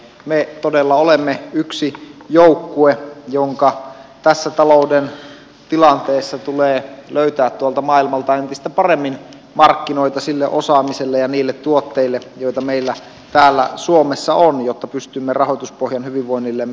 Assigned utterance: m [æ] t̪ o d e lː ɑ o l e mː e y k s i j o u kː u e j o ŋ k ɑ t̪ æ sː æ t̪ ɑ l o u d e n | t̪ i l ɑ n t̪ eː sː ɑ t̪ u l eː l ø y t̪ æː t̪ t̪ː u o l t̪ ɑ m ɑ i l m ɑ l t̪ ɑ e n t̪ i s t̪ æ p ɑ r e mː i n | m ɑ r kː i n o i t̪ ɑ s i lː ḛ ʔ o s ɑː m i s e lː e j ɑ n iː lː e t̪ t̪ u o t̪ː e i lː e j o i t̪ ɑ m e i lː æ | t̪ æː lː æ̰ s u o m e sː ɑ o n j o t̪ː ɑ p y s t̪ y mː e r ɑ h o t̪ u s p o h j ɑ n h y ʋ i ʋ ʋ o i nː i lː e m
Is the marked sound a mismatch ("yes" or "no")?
yes